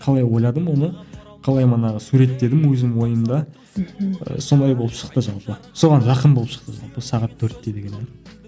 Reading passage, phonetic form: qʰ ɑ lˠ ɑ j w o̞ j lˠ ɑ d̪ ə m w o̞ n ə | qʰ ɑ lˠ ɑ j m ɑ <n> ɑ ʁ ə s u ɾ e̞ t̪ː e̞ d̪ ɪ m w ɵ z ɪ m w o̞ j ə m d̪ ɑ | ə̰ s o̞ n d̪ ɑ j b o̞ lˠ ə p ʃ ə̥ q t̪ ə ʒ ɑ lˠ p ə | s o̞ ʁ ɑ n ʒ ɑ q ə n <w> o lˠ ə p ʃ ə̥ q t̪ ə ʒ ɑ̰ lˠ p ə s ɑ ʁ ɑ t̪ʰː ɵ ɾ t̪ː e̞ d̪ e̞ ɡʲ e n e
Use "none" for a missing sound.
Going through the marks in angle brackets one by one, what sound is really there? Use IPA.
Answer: n, b

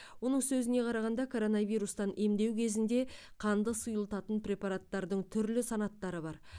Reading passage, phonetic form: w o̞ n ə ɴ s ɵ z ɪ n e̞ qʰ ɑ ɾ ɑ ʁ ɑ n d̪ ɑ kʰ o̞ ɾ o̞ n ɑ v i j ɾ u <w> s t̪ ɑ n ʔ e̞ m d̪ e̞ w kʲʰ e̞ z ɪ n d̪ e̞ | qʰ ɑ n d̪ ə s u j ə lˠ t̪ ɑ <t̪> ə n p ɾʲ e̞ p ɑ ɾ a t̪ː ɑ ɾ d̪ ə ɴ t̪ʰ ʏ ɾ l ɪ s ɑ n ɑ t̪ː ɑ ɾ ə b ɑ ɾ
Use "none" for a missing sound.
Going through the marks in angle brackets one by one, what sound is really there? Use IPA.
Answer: none, t̪

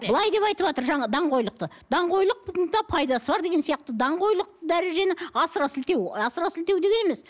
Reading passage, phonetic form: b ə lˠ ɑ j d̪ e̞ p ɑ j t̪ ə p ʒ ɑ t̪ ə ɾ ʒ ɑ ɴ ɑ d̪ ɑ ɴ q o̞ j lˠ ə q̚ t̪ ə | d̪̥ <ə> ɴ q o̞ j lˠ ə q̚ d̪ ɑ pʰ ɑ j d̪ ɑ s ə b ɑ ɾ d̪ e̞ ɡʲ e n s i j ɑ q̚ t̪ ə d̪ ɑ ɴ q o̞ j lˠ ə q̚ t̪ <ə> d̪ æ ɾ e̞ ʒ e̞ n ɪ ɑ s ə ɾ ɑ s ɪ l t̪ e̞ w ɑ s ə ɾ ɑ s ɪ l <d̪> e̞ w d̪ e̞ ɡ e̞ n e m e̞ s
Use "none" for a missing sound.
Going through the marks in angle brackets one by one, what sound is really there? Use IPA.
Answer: ɑ, ə, t̪

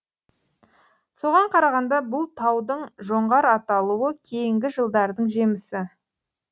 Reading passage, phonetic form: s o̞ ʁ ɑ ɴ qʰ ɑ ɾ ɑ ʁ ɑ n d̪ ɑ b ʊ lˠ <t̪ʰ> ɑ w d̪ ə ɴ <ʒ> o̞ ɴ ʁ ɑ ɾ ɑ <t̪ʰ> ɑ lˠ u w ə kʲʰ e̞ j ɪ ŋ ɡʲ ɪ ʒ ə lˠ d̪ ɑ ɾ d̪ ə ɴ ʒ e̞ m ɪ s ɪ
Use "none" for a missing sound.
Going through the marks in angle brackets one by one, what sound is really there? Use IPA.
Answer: t̪ʰ, ʒ, t̪

